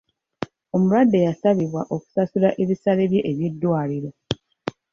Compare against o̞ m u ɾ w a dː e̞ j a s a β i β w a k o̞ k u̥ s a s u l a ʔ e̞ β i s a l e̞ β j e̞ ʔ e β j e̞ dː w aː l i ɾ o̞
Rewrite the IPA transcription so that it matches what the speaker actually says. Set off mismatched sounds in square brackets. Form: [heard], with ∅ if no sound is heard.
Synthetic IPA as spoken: o̞ m u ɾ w a dː e̞ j a s a β i β w a [ʔ] o̞ k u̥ s a s u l a ʔ e̞ β i s a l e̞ β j e̞ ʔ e β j e̞ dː w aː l i ɾ o̞